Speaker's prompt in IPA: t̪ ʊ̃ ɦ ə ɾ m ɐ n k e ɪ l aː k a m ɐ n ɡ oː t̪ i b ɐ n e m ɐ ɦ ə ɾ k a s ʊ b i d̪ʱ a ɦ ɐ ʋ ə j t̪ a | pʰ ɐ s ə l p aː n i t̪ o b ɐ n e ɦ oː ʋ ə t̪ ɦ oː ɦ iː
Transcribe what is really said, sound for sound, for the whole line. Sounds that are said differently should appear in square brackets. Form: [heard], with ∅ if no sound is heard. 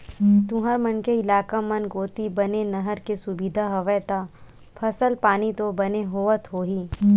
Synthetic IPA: t̪ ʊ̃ ɦ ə ɾ m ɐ n k e ɪ l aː k a m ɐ n ɡ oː t̪ i b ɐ n e [n] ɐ ɦ ə ɾ k [e] s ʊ b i d̪ʱ a ɦ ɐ ʋ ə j t̪ a | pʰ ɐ s ə l p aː n i t̪ o b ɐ n e ɦ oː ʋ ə t̪ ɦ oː ɦ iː